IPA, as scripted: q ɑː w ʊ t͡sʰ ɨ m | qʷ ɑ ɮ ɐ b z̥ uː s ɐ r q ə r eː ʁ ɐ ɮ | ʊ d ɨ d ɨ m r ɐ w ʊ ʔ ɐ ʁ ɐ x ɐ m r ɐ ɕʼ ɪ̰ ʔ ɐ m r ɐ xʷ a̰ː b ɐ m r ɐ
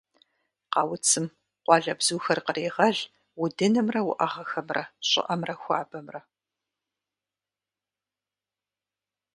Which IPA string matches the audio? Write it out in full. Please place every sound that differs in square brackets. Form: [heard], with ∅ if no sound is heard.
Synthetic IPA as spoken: q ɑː w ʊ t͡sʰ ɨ m | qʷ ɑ ɮ ɐ b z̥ uː [x] ɐ r q ə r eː ʁ ɐ ɮ | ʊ d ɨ [n] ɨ m r ɐ w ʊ ʔ ɐ ʁ ɐ x ɐ m r ɐ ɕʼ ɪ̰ ʔ ɐ m r ɐ xʷ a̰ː b ɐ m r ɐ